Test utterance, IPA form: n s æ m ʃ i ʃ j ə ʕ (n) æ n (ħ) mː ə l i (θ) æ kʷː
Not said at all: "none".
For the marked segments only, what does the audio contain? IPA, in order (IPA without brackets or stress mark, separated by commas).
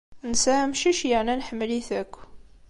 n, ħ, θ